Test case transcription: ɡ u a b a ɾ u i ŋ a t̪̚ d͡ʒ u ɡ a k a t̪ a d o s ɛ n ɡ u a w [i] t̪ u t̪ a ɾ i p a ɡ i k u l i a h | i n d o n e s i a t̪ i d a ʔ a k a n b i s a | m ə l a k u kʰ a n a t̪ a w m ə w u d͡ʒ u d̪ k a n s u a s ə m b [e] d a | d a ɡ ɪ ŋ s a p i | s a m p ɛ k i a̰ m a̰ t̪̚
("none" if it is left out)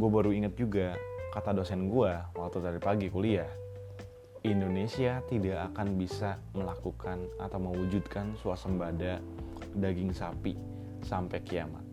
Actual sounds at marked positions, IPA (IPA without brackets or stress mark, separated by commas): a, a